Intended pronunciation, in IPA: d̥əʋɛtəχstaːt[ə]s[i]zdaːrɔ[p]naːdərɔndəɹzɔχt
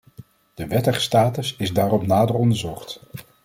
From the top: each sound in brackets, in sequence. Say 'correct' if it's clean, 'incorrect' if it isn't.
correct, incorrect: ɪ, correct

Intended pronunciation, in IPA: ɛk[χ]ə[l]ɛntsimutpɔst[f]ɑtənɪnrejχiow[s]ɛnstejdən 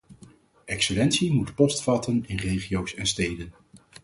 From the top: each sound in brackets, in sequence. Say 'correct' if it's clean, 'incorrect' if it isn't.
incorrect: s, correct, correct, correct

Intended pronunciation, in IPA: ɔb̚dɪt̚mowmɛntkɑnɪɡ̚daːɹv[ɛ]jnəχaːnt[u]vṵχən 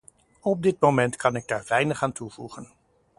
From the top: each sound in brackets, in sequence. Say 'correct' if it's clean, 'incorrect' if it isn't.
correct, correct

